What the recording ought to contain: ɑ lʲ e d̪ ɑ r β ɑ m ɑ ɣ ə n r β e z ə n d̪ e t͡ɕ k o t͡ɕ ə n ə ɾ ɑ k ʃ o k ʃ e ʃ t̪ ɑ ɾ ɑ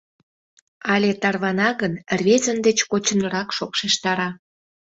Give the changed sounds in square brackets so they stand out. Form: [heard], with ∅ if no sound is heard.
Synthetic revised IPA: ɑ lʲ e [t̪] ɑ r β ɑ [n] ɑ ɣ ə n r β e z ə n d̪ e t͡ɕ k o t͡ɕ ə n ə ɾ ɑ k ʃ o k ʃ e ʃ t̪ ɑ ɾ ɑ